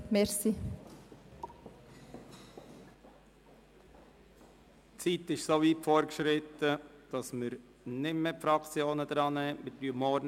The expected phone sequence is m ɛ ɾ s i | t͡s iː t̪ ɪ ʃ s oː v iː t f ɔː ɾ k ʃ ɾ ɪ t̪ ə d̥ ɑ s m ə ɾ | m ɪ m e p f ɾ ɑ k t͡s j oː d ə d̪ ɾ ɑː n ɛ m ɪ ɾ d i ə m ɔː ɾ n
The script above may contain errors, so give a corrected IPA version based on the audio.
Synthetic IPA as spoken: m ɛ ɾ s i | t͡s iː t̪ ɪ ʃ s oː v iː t f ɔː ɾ k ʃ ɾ ɪ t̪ ə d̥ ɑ s m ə ɾ | n ɪ m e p f ɾ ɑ k t͡s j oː n ə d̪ ɾ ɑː n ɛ m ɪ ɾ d y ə m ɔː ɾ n